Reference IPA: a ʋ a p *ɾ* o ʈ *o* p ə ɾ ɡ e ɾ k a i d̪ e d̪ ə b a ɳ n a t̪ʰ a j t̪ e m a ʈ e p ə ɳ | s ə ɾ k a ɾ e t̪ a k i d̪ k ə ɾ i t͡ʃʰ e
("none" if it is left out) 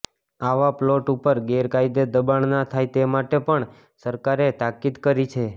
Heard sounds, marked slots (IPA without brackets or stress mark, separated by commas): l, u